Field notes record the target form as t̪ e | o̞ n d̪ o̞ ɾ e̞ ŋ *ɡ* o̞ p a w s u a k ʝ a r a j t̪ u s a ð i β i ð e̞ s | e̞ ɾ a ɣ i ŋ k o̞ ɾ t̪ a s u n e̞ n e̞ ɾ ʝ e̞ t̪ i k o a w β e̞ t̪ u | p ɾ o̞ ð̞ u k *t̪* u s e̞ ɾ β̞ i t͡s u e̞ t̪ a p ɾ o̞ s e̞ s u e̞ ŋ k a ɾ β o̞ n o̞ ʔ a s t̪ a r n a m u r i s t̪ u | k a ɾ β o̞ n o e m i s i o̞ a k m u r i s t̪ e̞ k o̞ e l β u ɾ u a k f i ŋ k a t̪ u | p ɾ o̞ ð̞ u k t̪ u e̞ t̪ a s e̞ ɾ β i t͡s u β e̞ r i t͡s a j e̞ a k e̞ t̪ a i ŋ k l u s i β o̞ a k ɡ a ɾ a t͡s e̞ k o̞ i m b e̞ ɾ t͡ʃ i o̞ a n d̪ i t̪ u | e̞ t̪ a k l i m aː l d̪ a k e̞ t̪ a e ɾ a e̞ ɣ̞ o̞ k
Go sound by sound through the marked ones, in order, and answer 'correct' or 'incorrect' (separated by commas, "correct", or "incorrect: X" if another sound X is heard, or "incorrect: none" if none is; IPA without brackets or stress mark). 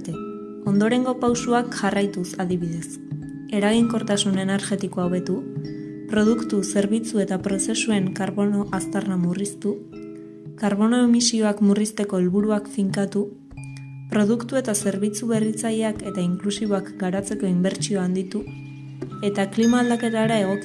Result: correct, correct